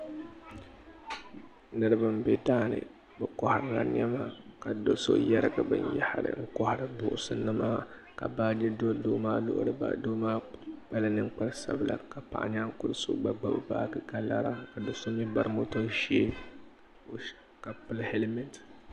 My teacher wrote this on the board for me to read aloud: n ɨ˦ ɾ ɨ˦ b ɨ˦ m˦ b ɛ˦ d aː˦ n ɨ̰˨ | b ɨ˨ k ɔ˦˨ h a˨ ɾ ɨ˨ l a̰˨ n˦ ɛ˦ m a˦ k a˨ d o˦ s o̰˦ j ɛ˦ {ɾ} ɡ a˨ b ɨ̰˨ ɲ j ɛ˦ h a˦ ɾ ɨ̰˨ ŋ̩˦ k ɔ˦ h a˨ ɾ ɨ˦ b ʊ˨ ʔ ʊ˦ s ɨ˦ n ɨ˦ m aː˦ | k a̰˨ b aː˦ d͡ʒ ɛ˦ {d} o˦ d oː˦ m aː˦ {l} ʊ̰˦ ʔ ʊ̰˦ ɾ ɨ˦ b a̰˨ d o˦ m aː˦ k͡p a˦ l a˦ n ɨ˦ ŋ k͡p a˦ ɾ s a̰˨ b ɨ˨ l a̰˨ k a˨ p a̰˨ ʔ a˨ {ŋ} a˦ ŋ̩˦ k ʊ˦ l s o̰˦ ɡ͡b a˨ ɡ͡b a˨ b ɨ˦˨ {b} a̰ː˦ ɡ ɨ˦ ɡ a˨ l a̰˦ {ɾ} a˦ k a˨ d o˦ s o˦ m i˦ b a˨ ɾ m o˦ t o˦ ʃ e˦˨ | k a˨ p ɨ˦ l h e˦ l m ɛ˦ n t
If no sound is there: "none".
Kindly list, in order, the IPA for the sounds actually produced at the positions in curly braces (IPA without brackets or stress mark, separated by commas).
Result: ɾ, d, l, ɲ, b, ɾ